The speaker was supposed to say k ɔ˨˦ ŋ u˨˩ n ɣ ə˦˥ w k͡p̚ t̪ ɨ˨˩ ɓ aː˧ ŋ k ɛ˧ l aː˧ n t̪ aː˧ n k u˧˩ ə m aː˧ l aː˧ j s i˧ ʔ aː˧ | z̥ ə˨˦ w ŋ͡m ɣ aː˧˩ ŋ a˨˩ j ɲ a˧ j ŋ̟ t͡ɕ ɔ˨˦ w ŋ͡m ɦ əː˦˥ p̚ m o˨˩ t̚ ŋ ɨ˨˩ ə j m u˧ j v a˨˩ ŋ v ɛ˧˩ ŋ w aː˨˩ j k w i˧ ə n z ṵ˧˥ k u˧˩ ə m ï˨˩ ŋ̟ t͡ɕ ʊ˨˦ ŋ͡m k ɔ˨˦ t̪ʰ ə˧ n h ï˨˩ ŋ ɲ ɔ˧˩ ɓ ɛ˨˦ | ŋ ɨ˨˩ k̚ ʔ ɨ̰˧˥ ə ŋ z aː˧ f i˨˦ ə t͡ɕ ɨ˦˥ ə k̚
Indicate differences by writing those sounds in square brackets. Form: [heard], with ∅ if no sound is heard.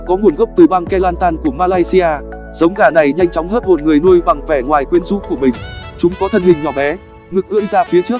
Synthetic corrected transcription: k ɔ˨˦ ŋ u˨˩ n ɣ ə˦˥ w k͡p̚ t̪ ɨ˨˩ ɓ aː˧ ŋ k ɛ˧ l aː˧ n t̪ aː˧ n k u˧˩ ə m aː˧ l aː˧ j s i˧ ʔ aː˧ | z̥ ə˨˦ w ŋ͡m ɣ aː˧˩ [n] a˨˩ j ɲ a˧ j ŋ̟ t͡ɕ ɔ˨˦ w ŋ͡m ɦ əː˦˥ [t̚] m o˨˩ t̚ ŋ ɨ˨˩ ə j [n] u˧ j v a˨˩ ŋ v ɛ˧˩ ŋ w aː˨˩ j k w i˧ ə n z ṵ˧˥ k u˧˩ ə m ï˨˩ ŋ̟ t͡ɕ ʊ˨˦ ŋ͡m k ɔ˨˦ t̪ʰ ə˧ n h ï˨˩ ŋ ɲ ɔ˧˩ ɓ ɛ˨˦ | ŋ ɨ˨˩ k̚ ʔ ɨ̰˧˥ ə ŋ z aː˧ f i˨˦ ə t͡ɕ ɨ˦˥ ə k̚